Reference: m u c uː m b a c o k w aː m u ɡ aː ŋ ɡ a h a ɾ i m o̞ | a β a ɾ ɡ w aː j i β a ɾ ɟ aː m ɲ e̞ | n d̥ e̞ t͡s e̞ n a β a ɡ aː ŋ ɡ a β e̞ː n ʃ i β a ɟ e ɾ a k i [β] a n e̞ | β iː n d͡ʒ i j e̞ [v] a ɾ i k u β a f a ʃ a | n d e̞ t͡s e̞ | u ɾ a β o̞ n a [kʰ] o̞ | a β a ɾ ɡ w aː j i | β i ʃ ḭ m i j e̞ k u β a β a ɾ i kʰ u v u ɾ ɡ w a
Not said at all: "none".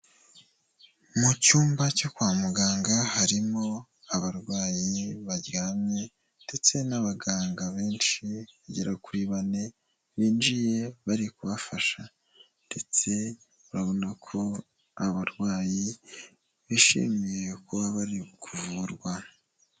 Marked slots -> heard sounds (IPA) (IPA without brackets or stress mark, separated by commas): β, β, kʰ